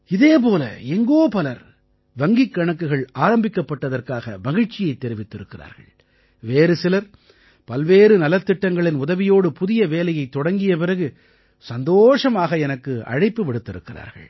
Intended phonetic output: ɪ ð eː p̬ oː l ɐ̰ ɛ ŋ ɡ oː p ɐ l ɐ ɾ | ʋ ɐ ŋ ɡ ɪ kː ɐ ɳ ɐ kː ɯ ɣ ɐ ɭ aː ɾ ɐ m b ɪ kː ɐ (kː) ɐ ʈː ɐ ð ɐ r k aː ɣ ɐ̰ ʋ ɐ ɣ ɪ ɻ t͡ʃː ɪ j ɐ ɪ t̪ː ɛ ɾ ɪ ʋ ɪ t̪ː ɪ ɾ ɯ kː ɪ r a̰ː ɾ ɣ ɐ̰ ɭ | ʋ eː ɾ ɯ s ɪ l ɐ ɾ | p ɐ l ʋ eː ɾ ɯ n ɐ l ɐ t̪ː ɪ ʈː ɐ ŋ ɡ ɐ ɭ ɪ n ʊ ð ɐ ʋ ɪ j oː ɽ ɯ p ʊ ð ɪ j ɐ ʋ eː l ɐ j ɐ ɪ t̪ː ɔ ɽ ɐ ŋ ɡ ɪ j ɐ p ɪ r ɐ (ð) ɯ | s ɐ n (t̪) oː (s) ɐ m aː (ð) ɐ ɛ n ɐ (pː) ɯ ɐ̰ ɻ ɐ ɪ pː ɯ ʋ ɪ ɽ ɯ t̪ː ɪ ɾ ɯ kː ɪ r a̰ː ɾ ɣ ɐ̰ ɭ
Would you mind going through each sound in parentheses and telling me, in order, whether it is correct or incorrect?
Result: incorrect: pː, incorrect: ɣ, incorrect: d̪, incorrect: ʂ, incorrect: ɣ, incorrect: kː

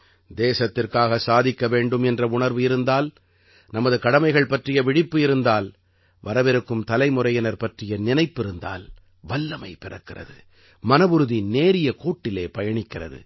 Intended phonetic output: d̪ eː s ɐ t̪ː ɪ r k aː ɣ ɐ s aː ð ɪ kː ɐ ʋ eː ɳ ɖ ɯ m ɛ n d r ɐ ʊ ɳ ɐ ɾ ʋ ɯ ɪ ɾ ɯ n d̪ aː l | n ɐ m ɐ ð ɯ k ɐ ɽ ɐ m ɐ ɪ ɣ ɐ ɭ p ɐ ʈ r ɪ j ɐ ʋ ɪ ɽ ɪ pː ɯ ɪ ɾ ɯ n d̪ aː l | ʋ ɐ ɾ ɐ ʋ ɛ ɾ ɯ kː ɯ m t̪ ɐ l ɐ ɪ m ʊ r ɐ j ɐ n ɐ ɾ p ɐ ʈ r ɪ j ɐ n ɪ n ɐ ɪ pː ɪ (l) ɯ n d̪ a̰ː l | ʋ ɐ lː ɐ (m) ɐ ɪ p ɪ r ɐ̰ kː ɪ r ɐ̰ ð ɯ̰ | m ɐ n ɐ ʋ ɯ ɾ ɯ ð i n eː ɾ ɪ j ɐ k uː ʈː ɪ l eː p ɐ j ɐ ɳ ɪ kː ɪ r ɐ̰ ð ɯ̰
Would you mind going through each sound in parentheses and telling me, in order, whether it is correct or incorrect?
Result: incorrect: ɾ, correct

